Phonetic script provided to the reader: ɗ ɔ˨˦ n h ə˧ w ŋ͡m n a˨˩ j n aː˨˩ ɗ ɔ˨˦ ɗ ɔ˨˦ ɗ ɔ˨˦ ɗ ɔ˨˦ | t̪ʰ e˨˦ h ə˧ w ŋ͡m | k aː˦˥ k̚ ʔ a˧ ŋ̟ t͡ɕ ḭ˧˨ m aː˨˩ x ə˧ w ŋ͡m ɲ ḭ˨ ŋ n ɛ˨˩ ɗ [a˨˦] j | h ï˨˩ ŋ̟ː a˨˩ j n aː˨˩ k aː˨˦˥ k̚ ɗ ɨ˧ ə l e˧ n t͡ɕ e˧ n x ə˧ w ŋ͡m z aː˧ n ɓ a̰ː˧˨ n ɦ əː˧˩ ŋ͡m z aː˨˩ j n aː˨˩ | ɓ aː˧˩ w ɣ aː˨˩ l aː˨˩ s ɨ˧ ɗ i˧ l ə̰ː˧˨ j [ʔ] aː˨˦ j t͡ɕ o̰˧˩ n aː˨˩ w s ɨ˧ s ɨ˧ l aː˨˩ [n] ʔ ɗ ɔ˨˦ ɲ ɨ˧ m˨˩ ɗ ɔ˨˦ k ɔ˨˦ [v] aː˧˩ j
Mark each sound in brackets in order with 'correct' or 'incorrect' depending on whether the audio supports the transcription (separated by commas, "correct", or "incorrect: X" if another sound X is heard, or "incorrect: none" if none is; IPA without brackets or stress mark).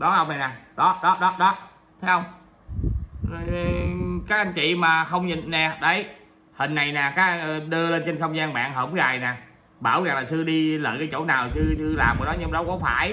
incorrect: ə˨˦, incorrect: k, incorrect: m, incorrect: f